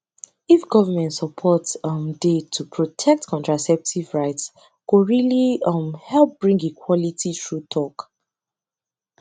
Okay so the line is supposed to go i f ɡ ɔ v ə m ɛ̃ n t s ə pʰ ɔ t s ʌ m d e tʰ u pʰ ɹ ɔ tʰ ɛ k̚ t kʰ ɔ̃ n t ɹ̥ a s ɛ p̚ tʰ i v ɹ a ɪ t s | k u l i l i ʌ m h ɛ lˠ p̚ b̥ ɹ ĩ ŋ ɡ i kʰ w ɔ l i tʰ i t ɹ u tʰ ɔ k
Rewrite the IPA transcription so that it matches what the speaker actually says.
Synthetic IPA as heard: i f ɡ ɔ v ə m ɛ̃ n t s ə pʰ ɔ t s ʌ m d e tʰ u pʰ ɹ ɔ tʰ ɛ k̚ t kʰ ɔ̃ n t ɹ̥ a s ɛ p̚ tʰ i v ɹ a ɪ t s | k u ɹ i l i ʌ m h ɛ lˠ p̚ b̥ ɹ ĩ ŋ ɡ i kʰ w ɔ l i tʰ i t ɹ u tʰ ɔ k